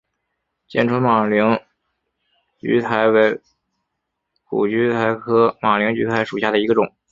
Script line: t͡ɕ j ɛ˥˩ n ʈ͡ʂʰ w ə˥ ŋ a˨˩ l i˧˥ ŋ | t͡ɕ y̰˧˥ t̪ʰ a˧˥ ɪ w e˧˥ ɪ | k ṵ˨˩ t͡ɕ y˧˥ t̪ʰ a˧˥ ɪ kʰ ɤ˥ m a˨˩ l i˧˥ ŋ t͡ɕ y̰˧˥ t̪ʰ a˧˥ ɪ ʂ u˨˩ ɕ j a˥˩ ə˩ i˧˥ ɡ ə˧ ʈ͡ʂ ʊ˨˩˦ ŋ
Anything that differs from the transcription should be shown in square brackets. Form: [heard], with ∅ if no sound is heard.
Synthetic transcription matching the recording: t͡ɕ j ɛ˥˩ n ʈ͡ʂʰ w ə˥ [m] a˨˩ l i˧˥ ŋ | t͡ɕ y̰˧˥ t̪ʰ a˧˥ ɪ w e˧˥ ɪ | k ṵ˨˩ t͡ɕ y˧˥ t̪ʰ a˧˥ ɪ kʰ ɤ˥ m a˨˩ l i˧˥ ŋ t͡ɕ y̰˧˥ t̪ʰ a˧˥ ɪ ʂ u˨˩ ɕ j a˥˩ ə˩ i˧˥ ɡ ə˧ ʈ͡ʂ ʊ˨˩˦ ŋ

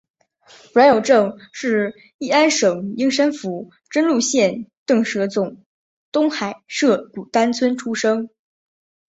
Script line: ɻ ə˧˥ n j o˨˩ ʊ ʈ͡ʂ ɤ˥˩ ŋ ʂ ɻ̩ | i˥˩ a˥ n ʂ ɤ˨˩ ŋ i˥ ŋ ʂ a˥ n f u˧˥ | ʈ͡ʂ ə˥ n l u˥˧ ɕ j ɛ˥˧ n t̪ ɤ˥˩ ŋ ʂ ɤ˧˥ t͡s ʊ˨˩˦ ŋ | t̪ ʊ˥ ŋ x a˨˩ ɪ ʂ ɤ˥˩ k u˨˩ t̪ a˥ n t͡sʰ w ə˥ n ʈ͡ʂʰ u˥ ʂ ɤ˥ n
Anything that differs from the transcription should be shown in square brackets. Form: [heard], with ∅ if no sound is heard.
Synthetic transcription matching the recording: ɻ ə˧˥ n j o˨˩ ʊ ʈ͡ʂ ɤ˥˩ ŋ ʂ ɻ̩ | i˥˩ a˥ n ʂ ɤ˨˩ ŋ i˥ ŋ ʂ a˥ n f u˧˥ | ʈ͡ʂ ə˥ n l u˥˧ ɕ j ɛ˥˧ n t̪ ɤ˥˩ ŋ ʂ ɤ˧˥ t͡s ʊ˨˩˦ ŋ | t̪ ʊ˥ ŋ x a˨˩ ɪ ʂ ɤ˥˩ k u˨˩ t̪ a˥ n t͡sʰ w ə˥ n ʈ͡ʂʰ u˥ ʂ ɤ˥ [ŋ]

